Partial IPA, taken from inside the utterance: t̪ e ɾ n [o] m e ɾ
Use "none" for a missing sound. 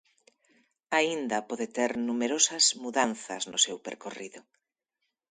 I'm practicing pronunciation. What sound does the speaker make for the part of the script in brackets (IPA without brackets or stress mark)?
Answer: u